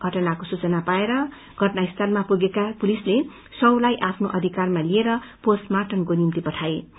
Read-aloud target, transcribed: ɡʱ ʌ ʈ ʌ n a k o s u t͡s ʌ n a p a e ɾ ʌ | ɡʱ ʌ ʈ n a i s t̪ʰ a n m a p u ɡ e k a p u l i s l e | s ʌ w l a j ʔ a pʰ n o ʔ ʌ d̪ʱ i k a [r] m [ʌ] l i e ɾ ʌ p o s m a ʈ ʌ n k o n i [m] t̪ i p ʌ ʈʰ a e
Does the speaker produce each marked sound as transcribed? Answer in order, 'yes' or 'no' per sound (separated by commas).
yes, no, yes